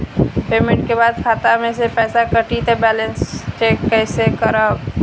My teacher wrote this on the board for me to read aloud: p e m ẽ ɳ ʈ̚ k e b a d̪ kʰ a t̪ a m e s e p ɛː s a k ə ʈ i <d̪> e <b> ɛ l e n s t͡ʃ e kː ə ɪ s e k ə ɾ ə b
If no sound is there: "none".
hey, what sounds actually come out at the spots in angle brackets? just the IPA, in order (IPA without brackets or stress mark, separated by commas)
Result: t̪, b